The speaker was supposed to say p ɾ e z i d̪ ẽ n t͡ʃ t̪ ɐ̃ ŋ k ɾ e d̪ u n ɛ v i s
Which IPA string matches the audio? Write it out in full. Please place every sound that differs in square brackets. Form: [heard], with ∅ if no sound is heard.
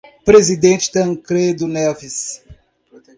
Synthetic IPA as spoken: p ɾ e z i d̪ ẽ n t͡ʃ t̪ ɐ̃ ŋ k ɾ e d̪ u n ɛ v i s